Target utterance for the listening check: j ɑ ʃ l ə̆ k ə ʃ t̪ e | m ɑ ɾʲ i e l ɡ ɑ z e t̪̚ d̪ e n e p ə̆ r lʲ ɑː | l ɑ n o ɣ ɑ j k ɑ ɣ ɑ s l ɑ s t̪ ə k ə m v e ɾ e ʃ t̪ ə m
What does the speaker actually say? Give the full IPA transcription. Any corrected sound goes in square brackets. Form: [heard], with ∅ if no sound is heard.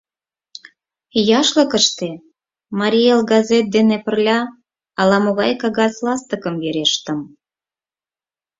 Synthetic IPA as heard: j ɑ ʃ l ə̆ k ə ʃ t̪ e | m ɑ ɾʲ i e l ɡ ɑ z e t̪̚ d̪ e n e p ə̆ r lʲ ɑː | l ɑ [m] o ɣ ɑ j k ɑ ɣ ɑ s l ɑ s t̪ ə k ə m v e ɾ e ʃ t̪ ə m